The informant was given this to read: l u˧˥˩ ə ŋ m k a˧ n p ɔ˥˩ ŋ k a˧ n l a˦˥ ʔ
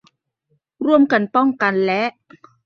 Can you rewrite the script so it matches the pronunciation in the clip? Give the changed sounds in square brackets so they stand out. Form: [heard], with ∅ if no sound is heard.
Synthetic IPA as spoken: [ɾ] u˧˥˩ ə [∅] m k a˧ n p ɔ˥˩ ŋ k a˧ n l [ɛ˦˥] ʔ